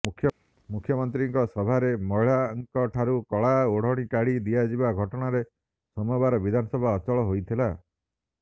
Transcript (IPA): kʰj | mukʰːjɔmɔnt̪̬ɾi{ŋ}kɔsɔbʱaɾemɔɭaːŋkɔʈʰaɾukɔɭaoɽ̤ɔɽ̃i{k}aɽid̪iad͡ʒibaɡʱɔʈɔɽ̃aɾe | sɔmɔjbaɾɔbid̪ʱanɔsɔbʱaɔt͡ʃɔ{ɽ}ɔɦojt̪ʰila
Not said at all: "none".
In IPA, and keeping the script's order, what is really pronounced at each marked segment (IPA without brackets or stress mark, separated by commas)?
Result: ŋ, k, ɭ